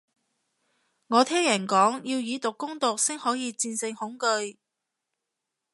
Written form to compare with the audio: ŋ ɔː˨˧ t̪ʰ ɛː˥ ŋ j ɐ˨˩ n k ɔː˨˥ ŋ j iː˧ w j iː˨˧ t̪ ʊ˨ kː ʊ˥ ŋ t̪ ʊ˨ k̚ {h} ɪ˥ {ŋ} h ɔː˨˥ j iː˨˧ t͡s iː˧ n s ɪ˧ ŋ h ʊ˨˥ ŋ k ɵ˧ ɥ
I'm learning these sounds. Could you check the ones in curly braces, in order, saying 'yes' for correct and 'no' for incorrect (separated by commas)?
no, yes